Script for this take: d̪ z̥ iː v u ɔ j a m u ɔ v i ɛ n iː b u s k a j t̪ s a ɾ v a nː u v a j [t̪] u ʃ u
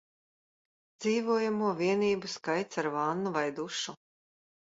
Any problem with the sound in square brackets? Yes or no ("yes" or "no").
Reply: yes